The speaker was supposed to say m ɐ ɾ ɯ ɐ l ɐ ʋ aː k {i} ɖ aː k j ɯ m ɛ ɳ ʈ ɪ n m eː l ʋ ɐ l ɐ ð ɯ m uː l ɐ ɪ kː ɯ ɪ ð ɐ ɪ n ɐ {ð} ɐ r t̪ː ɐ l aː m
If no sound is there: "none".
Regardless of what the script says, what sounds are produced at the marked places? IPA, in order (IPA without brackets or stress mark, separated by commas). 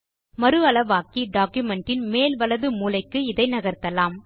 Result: i, ɣ